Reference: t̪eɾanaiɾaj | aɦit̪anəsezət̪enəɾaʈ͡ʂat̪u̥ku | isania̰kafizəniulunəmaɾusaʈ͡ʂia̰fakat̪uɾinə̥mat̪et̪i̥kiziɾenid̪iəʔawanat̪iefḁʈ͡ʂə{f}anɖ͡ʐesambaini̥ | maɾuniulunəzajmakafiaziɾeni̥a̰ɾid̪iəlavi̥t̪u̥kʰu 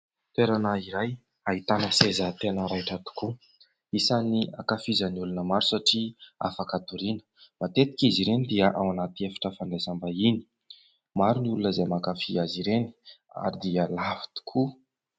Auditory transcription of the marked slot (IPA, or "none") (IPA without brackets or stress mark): f